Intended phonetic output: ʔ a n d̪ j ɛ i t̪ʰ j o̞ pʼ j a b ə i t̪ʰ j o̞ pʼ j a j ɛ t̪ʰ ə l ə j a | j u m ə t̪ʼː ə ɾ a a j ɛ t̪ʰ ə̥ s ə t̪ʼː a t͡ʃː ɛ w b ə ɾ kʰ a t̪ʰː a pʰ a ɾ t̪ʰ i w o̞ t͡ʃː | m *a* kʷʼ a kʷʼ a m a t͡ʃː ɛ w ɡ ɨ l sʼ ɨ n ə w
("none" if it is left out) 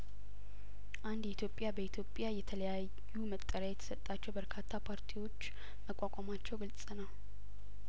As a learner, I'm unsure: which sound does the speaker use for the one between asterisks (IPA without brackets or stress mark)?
ə